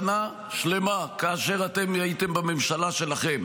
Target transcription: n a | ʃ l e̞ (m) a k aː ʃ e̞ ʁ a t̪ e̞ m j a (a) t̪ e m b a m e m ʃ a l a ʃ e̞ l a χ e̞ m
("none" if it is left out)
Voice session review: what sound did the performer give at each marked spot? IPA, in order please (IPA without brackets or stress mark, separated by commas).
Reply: m, i